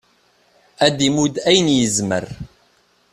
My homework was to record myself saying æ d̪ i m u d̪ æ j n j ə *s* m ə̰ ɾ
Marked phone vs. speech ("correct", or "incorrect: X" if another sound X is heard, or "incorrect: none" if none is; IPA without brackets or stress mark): incorrect: z